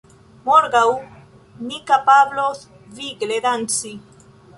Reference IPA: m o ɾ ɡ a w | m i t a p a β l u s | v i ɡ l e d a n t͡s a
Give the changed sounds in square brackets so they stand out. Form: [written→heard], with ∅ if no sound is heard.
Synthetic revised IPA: m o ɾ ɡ a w | [m→n] i [t→k] a p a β l [u→o] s | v i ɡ l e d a n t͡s [a→i]